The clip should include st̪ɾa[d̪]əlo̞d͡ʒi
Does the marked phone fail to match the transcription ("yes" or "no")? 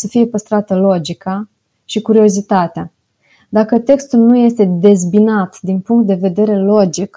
yes